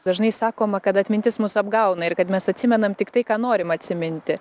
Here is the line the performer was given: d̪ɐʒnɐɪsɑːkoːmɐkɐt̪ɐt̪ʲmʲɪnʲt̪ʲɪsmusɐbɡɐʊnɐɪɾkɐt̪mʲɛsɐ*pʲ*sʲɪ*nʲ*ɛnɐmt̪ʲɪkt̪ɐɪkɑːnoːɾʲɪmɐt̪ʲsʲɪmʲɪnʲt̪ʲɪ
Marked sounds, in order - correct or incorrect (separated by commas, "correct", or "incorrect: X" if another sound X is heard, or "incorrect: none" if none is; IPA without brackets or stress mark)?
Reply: incorrect: tʲ, incorrect: mʲ